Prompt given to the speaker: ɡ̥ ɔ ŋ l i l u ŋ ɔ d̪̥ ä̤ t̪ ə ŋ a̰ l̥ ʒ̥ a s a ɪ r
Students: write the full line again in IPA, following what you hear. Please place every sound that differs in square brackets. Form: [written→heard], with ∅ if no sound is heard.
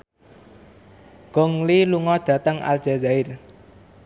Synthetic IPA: ɡ̥ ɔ ŋ l i l u ŋ ɔ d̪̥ ä̤ t̪ ə ŋ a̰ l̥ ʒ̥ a [s→z] a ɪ r